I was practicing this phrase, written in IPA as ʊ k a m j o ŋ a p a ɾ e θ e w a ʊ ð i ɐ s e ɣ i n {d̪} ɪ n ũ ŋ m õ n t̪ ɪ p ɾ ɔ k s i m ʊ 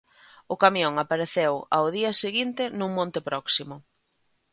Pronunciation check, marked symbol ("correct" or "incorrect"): incorrect